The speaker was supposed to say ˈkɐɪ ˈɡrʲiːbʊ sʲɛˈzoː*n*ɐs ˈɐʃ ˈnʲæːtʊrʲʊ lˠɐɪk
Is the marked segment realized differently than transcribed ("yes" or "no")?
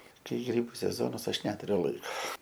no